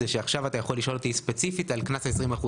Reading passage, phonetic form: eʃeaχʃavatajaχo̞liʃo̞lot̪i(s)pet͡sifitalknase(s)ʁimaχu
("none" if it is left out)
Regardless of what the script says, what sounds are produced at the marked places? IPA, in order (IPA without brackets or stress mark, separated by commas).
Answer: s, s